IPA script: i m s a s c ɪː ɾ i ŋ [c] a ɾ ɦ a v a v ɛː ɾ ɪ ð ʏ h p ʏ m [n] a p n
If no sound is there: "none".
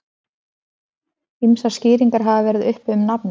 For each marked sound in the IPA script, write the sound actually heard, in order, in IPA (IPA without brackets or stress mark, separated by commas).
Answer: k, n